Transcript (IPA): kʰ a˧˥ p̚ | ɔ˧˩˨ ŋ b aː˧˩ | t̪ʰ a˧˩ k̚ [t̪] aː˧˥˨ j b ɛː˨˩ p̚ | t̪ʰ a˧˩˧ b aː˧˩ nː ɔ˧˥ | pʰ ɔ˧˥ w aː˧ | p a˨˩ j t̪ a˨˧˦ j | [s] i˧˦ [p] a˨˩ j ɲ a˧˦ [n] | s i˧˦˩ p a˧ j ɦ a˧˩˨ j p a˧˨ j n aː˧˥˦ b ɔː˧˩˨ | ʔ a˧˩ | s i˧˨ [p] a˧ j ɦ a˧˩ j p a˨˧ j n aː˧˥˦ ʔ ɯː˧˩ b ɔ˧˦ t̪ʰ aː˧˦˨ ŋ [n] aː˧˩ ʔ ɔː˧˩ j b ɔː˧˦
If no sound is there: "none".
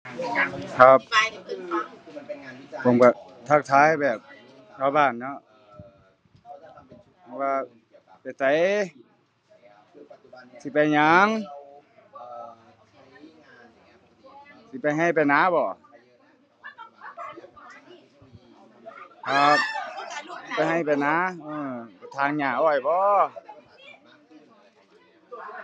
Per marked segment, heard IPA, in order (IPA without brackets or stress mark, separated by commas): t̪ʰ, s, p, ŋ, p, ɲ